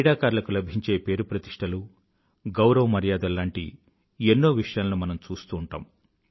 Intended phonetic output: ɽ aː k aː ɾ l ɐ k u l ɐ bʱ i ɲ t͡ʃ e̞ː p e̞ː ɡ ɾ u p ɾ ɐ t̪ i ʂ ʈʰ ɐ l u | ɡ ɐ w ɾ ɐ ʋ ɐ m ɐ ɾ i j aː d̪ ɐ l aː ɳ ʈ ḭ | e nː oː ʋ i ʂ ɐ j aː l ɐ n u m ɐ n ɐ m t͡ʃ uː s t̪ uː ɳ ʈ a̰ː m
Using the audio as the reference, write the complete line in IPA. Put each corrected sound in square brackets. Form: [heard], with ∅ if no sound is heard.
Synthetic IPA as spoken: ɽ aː k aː ɾ l ɐ k u l ɐ bʱ i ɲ t͡ʃ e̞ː p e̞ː [∅] ɾ u p ɾ ɐ t̪ i ʂ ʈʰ ɐ l u | ɡ ɐ w ɾ ɐ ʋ ɐ m ɐ ɾ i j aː d̪ ɐ l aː ɳ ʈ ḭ | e nː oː ʋ i ʂ ɐ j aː l ɐ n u m ɐ n ɐ m t͡ʃ uː s t̪ uː ɳ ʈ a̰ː m